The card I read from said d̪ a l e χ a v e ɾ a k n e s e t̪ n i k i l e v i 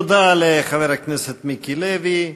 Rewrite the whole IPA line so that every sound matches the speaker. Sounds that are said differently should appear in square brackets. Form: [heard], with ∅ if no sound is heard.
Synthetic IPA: d̪ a l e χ a v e ɾ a k n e s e t̪ [m] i k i l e v i